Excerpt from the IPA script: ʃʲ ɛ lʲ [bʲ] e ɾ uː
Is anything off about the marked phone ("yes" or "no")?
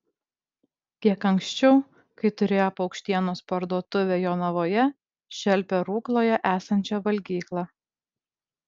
yes